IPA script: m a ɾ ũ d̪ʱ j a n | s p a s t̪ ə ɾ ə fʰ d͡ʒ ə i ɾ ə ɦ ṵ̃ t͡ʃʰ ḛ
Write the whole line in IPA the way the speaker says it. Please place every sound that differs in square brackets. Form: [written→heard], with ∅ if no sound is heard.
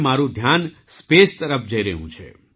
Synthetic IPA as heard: m a ɾ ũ d̪ʱ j a n | s p [a→e] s t̪ ə ɾ ə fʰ d͡ʒ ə i ɾ ə ɦ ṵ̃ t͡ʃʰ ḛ